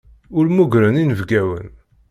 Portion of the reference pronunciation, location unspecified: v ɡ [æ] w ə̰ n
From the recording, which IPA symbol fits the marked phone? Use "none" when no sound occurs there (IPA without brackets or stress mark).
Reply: æ